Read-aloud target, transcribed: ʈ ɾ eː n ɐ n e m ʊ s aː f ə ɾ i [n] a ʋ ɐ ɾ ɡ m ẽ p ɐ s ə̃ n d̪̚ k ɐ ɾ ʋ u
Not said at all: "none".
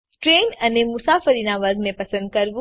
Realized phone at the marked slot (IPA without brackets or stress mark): n